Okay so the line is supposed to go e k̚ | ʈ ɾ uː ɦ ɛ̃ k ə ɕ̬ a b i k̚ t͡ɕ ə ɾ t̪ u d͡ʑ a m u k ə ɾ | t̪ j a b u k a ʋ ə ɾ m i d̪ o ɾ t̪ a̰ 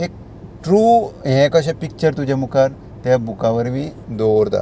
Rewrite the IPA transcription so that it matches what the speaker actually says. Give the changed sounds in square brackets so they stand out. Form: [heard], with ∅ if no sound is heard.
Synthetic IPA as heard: e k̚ | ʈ ɾ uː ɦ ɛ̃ k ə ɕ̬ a [p] i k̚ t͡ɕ ə ɾ t̪ u d͡ʑ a m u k [a] ɾ | t̪ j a b u k a ʋ ə ɾ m i d̪ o ɾ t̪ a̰